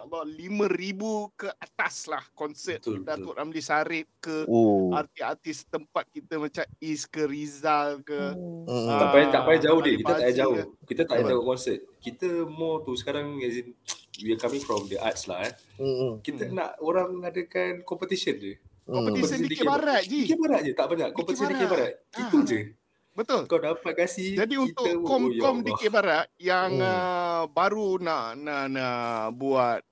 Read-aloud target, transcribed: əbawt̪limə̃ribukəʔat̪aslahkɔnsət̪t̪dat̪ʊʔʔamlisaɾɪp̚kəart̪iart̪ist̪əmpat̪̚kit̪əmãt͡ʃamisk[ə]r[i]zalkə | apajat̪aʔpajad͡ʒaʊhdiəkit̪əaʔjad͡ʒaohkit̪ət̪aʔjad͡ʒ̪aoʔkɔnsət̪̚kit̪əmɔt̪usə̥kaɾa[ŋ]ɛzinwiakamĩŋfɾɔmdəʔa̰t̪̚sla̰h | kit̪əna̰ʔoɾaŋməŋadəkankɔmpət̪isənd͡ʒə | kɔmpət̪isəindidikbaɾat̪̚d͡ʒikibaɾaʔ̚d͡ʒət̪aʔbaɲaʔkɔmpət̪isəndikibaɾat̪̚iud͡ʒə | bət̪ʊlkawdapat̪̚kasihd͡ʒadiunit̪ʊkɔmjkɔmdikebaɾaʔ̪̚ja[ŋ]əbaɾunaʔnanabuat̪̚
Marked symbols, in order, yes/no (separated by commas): yes, yes, yes, yes